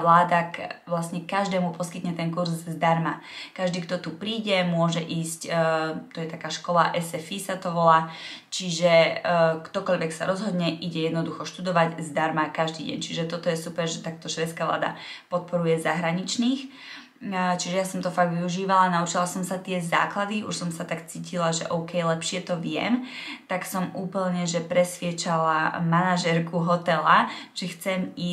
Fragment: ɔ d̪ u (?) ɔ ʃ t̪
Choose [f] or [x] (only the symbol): x